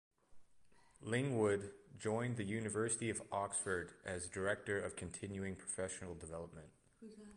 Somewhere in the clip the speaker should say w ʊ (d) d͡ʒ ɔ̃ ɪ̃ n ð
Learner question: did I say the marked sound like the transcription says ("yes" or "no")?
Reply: yes